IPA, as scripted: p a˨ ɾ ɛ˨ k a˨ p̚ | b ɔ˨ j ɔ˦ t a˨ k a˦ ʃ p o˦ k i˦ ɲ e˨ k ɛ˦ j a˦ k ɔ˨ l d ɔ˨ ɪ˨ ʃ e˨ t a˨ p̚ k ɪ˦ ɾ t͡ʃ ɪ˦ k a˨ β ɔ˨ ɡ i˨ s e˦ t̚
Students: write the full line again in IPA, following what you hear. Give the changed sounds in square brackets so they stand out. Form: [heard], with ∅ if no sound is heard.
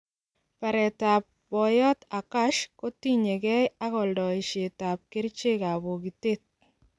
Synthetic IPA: p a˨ ɾ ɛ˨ [t] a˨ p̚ | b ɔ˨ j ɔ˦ t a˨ k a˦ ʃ [k] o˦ [t] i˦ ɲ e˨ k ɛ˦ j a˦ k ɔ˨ l d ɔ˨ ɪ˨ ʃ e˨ t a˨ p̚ k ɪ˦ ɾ t͡ʃ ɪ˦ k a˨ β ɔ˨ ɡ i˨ [t] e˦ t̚